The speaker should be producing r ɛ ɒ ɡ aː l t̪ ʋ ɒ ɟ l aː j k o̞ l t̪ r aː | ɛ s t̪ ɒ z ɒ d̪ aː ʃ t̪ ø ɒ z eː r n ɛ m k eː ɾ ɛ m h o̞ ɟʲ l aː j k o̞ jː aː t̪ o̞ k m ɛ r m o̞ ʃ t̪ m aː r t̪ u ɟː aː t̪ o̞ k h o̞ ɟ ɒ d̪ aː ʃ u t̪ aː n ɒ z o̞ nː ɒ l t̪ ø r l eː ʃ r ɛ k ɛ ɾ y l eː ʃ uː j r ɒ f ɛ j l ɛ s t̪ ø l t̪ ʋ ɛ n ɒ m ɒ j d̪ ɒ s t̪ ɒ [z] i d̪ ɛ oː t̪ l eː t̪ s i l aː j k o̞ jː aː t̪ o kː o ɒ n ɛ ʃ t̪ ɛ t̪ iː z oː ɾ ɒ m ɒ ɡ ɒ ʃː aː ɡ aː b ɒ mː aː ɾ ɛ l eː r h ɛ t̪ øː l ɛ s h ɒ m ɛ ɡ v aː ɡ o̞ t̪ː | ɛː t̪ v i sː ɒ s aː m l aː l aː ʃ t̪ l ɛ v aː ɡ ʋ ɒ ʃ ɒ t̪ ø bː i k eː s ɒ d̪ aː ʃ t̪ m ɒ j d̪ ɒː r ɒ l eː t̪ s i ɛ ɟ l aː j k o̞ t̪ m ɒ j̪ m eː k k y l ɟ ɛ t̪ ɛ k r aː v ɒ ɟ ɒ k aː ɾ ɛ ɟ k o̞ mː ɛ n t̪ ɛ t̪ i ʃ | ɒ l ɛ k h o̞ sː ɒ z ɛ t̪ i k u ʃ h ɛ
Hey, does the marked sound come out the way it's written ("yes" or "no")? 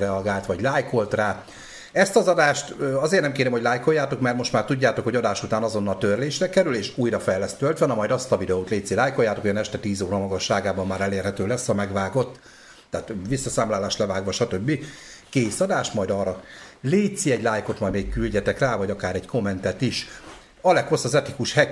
no